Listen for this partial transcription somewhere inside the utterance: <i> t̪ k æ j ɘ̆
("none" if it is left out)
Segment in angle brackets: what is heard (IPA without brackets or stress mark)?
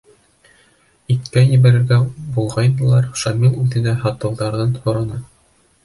i